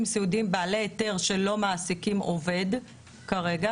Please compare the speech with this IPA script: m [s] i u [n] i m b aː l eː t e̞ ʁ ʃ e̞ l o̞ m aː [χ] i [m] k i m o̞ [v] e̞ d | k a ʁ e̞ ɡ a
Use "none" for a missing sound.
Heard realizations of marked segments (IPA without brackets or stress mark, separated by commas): s, d, s, none, v